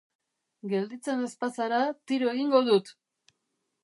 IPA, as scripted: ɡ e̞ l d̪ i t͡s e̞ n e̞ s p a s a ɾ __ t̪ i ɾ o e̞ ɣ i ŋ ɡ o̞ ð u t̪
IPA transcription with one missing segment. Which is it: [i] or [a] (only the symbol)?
a